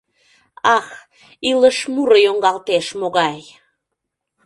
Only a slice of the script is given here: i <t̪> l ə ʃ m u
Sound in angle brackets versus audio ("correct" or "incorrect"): incorrect